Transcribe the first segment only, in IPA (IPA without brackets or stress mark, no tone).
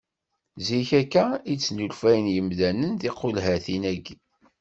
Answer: z